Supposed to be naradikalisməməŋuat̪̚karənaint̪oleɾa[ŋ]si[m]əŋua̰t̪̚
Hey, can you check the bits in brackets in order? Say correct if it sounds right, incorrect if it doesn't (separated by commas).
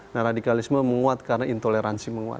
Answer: incorrect, correct